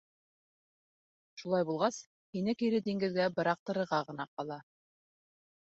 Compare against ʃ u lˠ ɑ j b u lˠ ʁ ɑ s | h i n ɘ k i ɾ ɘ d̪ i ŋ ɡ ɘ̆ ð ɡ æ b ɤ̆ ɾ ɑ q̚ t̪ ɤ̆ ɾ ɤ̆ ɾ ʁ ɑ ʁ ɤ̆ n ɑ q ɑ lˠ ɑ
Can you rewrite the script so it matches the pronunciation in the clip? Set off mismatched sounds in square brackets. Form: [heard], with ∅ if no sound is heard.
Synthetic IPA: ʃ u lˠ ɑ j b u lˠ ʁ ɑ s | h i n ɘ k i ɾ ɘ d̪ i ŋ ɡ ɘ̆ ð ɡ æ b ɤ̆ ɾ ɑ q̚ t̪ ɤ̆ ɾ ɤ̆ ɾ ʁ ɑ ʁ ɤ̆ n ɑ q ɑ lˠ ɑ